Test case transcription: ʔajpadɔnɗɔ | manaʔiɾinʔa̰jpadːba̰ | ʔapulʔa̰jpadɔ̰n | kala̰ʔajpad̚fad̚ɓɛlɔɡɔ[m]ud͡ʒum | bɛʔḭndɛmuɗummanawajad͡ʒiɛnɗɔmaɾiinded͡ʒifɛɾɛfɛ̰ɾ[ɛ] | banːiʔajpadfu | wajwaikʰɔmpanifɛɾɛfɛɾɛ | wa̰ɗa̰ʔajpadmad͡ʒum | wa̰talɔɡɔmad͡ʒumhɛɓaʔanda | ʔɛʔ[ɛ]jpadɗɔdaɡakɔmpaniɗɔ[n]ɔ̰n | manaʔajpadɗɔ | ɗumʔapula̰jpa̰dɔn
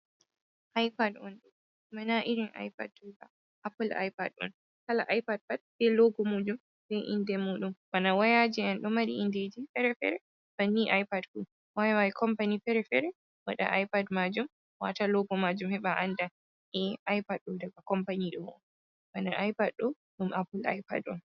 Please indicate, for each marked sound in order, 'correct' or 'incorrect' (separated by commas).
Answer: correct, correct, incorrect, incorrect